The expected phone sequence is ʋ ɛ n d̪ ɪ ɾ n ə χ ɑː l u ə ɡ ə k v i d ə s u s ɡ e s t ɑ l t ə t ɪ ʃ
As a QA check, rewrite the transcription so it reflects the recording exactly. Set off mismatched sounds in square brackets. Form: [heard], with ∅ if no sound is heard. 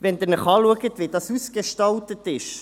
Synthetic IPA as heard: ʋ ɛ n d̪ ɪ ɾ n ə χ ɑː l u ə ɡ ə [t] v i d [ɑ] s u s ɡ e [ʃ] t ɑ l t ə t ɪ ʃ

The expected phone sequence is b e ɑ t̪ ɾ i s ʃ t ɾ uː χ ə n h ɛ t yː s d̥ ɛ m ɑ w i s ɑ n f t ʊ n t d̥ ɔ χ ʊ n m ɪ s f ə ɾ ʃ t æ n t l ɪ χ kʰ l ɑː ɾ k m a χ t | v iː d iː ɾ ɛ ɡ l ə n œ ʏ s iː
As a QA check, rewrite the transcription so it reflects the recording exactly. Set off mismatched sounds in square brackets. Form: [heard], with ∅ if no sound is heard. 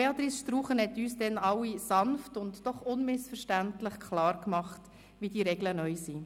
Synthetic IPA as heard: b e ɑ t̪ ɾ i s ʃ t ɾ uː χ ə n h ɛ t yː s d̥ ɛ [n] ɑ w i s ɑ n f t ʊ n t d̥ ɔ χ ʊ n m ɪ s f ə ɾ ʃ t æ n t l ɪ χ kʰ l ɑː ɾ k m [ɑ] χ t | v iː d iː ɾ ɛ ɡ l ə n œ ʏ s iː

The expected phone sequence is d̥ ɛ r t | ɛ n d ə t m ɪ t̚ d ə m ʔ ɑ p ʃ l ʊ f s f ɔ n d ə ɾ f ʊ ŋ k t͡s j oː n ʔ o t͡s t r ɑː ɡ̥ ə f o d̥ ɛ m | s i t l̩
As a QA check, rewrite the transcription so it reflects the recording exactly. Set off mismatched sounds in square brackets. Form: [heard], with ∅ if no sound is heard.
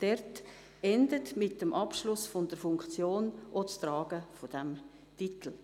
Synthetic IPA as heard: d̥ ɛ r t | ɛ n d ə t m ɪ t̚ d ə m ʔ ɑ p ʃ l ʊ [∅] s f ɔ n d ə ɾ f ʊ ŋ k t͡s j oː n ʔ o t͡s t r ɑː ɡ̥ ə f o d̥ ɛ m | [t] i t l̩

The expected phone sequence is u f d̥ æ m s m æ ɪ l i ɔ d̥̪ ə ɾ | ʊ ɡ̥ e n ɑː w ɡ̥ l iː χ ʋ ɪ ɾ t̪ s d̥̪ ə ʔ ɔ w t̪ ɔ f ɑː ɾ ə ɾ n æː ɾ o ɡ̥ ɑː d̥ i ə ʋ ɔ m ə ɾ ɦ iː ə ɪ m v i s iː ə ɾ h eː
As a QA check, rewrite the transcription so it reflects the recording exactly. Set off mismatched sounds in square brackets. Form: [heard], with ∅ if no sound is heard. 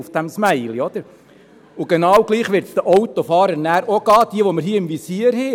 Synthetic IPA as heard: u f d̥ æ m s m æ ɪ l i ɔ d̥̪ ə ɾ | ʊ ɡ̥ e n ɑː w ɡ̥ l iː χ ʋ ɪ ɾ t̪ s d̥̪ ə ʔ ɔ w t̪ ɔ f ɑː ɾ ə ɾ n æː ɾ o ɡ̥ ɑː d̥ i ə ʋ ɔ m ə ɾ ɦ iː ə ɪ m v i s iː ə ɾ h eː

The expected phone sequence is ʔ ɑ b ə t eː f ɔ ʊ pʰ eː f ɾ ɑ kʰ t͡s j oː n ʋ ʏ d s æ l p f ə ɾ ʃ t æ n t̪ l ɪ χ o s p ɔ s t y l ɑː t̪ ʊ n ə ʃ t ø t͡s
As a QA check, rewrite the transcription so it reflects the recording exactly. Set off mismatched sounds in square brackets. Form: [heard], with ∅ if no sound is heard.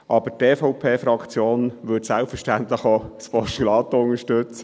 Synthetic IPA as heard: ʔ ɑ b ə t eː f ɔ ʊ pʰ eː f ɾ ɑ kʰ t͡s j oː n ʋ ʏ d s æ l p f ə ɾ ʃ t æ n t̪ l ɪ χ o s p ɔ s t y l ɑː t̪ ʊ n ə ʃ t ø t͡s

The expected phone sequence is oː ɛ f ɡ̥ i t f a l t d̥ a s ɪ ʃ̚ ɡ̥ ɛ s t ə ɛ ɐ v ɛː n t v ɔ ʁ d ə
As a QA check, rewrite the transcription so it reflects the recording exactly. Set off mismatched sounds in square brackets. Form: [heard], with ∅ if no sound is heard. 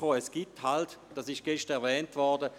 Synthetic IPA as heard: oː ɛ [s] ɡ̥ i t [h] a l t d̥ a s ɪ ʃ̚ ɡ̥ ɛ [ʃ] t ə ɛ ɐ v ɛː n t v ɔ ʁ d ə

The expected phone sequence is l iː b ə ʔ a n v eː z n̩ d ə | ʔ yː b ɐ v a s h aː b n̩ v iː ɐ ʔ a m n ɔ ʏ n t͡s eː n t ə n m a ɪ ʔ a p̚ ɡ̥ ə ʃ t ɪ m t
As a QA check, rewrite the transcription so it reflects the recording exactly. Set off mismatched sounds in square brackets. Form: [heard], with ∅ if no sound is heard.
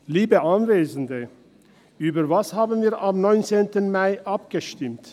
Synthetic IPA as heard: l iː b ə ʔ a n v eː z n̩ d ə | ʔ yː b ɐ v a s h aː b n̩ v iː ɐ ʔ a m n ɔ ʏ n t͡s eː n t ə n m a ɪ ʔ a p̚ ɡ̥ ə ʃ t ɪ m t

